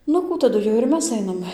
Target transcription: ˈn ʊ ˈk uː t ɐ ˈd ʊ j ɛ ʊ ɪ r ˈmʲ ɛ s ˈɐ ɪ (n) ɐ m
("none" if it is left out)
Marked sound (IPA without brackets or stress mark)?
n